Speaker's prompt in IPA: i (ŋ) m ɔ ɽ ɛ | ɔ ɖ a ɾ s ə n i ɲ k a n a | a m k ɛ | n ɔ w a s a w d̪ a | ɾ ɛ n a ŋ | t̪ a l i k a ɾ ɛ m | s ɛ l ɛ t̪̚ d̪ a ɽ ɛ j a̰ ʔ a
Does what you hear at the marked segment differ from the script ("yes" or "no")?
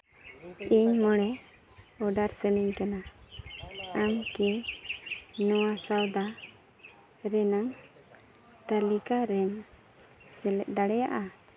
yes